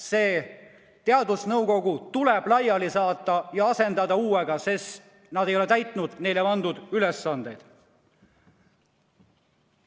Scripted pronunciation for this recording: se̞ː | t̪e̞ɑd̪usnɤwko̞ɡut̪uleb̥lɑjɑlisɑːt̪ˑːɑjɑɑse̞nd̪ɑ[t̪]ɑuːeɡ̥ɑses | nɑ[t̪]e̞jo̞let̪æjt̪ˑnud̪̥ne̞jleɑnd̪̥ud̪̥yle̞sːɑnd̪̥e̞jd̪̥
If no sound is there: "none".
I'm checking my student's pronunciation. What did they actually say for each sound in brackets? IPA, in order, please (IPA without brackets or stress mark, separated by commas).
d̪, d̪